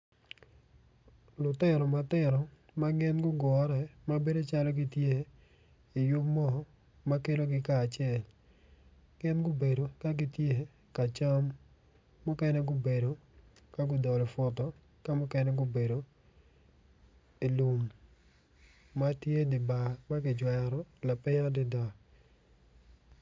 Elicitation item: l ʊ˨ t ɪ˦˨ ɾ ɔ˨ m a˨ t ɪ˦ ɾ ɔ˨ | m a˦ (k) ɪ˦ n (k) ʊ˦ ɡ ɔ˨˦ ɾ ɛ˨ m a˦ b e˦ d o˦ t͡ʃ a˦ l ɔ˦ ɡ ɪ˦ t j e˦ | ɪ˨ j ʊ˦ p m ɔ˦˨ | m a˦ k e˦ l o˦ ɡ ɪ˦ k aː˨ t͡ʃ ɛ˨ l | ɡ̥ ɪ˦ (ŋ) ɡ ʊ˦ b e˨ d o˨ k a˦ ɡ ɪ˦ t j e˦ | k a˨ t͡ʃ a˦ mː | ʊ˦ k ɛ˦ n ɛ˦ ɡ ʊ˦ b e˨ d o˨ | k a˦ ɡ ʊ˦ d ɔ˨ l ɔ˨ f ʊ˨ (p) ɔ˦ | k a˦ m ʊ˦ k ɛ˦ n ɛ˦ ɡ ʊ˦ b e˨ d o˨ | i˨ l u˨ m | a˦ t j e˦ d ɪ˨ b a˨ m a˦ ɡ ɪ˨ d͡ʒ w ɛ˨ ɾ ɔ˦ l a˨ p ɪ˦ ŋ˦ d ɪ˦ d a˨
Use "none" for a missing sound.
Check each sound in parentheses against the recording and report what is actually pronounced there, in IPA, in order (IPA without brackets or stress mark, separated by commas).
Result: ɡ, ɡ, n, t